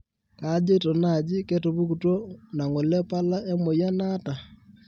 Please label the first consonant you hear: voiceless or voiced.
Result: voiceless